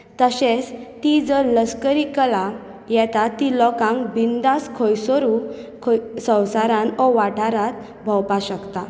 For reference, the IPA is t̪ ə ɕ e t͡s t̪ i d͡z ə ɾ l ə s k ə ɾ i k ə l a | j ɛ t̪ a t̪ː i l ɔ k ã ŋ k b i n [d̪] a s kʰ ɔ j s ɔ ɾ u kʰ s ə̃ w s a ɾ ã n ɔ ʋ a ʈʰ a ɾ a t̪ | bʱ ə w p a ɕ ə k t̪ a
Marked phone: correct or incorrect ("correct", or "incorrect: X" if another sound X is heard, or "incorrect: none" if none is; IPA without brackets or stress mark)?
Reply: correct